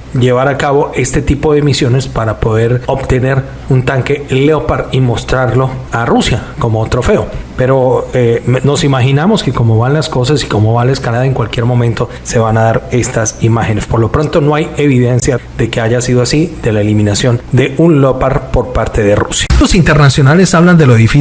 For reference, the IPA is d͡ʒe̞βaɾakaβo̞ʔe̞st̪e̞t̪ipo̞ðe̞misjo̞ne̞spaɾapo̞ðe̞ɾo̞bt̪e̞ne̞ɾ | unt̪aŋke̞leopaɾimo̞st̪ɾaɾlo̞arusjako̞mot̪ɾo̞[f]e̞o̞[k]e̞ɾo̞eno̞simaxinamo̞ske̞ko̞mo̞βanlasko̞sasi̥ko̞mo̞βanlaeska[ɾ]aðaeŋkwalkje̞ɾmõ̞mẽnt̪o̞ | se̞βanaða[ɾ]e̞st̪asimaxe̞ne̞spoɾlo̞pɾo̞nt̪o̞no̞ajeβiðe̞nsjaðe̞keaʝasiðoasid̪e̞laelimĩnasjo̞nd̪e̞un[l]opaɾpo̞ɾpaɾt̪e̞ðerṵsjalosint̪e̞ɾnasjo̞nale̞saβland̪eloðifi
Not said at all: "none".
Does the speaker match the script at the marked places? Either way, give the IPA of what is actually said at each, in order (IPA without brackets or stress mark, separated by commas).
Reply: f, p, l, ɾ, l